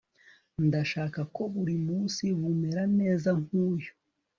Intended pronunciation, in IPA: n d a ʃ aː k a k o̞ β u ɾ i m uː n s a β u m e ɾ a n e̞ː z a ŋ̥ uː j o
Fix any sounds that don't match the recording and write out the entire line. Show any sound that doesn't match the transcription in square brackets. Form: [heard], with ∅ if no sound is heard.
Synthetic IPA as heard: n d a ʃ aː k a k o̞ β u ɾ i m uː n s [i] β u m e ɾ a n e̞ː z a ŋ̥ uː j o